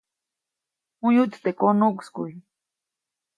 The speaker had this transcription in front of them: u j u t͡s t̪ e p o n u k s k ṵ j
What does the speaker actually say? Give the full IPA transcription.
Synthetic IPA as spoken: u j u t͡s t̪ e k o n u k s k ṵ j